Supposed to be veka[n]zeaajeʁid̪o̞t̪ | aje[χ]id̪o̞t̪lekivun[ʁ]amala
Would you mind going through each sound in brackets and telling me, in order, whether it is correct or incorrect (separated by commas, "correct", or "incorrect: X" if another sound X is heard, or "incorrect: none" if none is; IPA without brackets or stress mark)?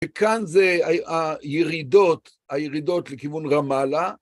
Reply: correct, incorrect: ʁ, correct